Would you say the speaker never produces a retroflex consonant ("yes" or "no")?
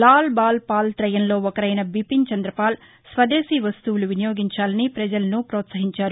yes